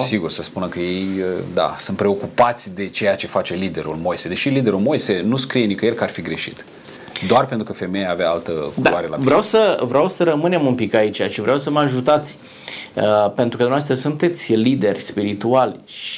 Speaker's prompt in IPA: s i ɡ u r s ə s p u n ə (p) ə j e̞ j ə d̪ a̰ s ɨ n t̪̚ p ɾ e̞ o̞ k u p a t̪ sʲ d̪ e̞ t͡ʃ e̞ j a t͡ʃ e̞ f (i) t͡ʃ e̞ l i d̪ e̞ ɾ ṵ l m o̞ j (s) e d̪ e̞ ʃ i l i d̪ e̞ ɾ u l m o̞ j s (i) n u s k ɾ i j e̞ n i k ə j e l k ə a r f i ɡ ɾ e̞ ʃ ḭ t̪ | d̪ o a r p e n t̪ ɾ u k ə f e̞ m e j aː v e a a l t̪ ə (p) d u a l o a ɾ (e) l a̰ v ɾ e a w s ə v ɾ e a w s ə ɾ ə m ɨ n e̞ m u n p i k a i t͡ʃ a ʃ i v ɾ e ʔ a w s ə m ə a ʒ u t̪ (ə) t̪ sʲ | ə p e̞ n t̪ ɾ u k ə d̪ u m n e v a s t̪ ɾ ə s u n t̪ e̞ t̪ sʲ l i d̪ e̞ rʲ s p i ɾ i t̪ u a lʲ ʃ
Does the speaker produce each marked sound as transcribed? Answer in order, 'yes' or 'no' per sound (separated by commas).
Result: no, no, yes, no, no, yes, no